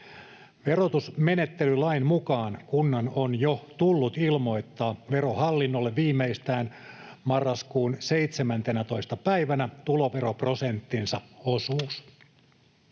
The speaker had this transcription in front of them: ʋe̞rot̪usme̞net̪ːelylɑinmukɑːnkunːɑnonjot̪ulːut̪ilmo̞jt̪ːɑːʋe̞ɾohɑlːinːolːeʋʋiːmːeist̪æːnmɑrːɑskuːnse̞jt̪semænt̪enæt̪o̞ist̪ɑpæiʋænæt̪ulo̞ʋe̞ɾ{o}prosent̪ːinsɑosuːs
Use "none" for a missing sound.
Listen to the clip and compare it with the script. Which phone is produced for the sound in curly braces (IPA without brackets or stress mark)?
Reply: o